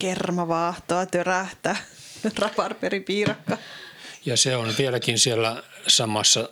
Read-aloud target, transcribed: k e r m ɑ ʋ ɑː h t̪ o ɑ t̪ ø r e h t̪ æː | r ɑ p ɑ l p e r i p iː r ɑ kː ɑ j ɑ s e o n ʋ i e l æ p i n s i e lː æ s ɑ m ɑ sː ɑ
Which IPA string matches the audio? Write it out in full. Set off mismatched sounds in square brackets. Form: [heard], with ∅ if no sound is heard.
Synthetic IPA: k e r m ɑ ʋ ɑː h t̪ o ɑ t̪ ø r [æ] h t̪ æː | r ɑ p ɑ [r] p e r i p iː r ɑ kː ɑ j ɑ s e o n ʋ i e l æ [k] i n s i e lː æ s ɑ m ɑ sː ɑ